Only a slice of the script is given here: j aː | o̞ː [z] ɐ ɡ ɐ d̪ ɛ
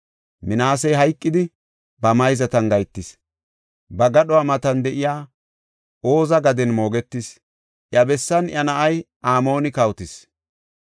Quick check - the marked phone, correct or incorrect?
correct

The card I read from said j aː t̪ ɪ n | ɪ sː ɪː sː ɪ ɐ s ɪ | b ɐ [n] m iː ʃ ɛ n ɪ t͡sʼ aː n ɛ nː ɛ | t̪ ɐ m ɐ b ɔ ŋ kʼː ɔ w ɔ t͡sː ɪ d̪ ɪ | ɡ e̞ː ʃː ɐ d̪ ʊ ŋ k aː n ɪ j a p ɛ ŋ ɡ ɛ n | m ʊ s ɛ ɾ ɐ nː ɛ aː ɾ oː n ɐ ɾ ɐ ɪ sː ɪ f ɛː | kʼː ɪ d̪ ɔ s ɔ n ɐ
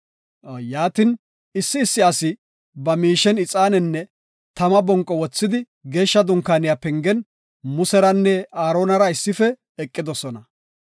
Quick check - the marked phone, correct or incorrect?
incorrect: none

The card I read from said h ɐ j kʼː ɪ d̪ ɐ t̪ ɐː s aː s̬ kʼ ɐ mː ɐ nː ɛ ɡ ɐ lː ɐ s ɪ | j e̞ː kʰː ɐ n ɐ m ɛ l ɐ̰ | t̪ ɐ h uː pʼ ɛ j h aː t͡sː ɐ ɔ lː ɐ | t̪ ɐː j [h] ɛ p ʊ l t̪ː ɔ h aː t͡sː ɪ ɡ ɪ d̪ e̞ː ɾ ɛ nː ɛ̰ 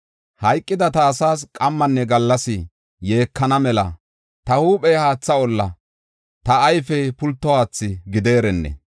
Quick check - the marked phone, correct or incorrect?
incorrect: f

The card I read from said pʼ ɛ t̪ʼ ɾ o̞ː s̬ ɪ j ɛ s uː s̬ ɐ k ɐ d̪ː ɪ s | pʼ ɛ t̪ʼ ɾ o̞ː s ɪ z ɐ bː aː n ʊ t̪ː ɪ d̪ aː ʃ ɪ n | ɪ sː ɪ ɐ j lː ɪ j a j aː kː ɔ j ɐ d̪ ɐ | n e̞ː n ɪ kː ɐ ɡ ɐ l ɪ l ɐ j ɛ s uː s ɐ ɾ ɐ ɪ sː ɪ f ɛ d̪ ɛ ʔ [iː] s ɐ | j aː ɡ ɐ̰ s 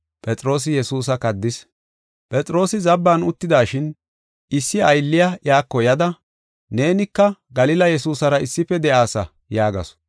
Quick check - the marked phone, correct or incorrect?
incorrect: aː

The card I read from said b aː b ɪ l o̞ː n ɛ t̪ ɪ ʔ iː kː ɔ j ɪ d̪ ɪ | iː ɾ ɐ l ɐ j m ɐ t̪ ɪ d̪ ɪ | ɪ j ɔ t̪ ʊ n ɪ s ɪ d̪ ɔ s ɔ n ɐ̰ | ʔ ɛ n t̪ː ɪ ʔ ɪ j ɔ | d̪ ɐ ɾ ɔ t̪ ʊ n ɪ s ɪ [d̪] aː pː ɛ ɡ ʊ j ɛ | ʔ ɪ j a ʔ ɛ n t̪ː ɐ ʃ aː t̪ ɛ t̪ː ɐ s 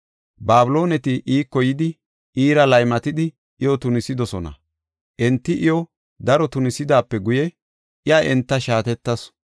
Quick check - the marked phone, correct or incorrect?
correct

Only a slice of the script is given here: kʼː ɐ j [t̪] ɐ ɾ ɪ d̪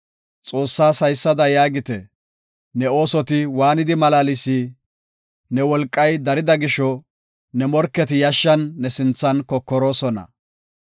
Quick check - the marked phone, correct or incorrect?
incorrect: d̪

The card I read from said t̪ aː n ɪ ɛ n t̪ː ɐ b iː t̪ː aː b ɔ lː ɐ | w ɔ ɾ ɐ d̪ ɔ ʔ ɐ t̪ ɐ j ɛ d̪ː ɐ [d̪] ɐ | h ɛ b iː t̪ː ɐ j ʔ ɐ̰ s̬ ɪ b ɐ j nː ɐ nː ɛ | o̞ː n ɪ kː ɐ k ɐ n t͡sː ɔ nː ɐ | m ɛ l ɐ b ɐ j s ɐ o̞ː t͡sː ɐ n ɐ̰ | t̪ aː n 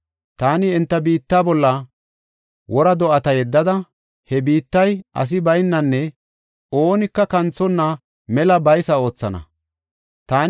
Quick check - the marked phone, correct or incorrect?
correct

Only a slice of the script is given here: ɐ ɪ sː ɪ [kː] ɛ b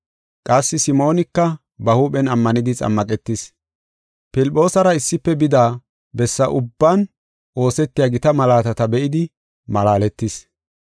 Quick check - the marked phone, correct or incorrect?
incorrect: pː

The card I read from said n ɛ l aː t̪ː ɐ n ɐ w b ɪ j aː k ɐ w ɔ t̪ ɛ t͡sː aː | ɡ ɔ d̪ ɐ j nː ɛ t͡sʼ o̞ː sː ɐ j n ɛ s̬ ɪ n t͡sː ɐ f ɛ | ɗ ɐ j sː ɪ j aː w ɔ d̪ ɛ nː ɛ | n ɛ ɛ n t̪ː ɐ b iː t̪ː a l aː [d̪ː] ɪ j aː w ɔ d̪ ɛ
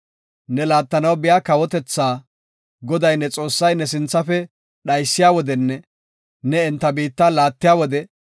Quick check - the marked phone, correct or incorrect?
incorrect: t̪ː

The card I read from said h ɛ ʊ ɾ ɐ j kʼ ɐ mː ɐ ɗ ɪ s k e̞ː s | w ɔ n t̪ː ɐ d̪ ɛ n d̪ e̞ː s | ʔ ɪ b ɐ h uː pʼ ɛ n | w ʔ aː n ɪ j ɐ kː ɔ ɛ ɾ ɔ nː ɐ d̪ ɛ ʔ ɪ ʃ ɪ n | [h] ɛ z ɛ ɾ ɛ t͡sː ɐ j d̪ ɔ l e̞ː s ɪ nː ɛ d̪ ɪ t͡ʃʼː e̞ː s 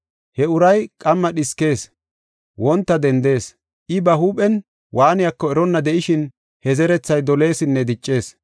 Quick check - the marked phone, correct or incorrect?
correct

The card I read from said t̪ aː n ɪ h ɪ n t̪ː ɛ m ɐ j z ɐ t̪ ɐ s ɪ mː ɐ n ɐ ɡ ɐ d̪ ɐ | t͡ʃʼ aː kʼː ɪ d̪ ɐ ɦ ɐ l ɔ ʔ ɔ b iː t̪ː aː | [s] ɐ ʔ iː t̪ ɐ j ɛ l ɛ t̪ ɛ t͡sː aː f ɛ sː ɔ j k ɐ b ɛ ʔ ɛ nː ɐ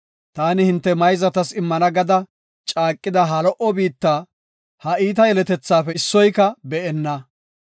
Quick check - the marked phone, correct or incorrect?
incorrect: h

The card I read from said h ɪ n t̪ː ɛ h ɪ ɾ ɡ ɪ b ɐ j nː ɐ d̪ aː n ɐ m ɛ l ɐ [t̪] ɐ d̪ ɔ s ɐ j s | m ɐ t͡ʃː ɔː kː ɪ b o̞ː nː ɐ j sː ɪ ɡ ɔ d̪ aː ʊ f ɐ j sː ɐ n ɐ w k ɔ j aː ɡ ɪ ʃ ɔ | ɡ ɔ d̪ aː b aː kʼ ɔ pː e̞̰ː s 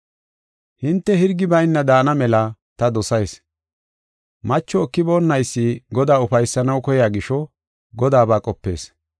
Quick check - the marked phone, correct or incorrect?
correct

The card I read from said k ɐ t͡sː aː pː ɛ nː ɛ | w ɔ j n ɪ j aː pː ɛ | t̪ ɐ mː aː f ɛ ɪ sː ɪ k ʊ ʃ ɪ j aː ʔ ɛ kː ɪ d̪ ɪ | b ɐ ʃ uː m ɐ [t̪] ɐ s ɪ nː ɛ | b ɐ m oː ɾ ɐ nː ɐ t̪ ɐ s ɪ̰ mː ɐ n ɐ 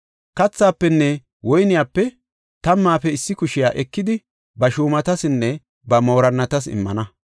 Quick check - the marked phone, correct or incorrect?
correct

